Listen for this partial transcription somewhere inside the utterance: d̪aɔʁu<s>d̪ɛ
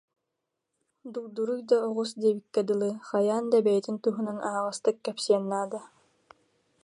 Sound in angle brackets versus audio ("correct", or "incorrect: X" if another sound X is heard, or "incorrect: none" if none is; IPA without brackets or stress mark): correct